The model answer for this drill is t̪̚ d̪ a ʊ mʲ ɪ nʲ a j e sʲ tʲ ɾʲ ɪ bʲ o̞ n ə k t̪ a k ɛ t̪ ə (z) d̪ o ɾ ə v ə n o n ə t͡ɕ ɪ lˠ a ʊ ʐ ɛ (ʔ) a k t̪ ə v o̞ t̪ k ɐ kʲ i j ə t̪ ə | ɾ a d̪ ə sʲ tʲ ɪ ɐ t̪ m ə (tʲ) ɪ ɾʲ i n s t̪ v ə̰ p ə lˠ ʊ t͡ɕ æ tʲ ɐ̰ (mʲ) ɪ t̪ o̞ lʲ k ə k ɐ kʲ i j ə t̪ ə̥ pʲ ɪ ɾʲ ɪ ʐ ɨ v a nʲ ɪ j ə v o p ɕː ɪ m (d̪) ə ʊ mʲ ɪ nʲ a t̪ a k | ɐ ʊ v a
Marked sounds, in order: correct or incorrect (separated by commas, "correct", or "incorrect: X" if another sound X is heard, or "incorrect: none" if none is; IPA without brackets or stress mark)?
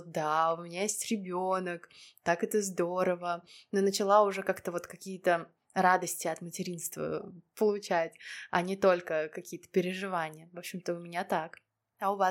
correct, incorrect: k, correct, incorrect: nʲ, incorrect: t̪